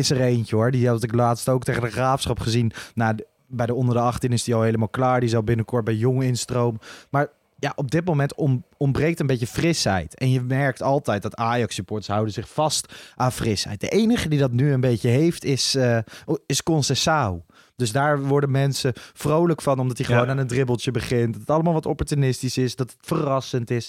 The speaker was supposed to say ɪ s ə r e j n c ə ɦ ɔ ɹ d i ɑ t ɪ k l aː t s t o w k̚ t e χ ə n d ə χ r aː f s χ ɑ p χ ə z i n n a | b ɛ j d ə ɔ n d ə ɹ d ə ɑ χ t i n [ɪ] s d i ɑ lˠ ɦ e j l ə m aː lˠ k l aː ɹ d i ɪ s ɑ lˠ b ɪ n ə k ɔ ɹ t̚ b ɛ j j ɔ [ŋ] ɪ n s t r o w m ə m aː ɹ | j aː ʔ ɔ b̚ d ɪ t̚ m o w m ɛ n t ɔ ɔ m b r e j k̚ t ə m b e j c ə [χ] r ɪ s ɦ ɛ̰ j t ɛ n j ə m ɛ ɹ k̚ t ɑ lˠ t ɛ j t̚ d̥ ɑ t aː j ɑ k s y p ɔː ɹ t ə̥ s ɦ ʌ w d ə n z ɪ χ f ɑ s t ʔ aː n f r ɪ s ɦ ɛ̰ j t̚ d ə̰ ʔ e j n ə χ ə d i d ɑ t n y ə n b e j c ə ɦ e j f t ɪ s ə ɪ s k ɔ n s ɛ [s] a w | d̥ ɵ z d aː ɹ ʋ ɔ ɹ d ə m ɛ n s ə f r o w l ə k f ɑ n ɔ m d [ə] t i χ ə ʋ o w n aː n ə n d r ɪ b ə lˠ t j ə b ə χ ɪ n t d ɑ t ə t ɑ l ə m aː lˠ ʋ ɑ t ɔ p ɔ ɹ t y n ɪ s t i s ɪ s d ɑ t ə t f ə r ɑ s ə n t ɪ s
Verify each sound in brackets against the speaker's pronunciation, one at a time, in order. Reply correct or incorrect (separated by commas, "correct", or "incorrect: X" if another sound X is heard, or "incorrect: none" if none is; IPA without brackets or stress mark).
correct, correct, incorrect: f, correct, incorrect: ɑ